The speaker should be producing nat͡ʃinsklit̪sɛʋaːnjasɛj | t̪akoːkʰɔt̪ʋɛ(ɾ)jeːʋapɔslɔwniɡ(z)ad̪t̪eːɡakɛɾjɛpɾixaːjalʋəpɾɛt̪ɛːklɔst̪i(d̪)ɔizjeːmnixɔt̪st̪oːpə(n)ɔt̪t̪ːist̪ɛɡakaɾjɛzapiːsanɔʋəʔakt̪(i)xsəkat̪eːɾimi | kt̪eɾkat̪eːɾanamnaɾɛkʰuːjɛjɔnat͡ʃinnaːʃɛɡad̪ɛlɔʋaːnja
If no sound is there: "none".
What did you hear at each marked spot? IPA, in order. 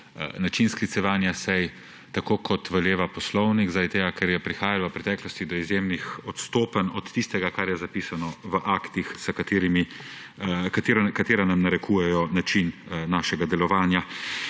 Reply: l, z, d̪, n, i

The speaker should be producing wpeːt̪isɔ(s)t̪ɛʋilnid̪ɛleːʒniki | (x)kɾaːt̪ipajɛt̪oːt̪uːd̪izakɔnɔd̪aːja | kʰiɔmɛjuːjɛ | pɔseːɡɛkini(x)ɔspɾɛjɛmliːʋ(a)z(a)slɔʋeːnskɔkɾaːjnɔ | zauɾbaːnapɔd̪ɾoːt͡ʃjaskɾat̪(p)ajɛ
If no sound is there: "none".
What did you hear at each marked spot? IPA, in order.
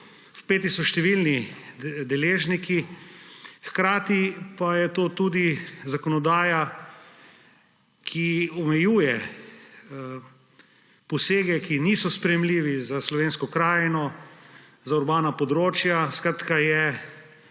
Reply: ʃ, x, s, i, a, k

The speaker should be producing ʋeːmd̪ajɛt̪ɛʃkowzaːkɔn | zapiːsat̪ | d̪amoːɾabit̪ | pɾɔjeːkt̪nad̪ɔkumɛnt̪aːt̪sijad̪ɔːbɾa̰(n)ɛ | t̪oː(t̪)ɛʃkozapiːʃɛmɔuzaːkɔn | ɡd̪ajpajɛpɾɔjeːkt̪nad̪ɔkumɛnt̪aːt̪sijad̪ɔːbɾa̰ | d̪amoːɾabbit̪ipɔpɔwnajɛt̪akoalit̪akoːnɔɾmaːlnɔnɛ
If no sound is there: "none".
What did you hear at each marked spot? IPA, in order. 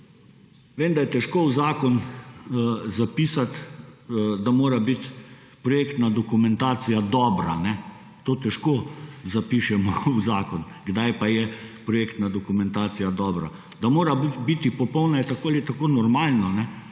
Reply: n, t̪

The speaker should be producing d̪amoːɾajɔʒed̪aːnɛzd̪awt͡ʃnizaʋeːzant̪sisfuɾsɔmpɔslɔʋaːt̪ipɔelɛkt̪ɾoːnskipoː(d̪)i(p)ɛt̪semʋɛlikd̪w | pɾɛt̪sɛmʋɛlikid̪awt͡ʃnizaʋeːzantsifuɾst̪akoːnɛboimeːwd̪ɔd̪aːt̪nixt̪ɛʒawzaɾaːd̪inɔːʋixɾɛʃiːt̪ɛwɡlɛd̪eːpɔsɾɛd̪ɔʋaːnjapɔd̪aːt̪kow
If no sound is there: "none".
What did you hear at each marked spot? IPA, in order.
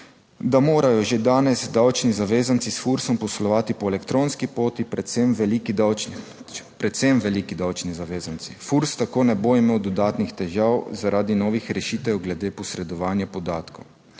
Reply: t̪, p

